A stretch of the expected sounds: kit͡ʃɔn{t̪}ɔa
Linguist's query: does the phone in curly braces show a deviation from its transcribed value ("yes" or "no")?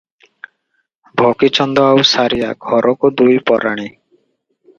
yes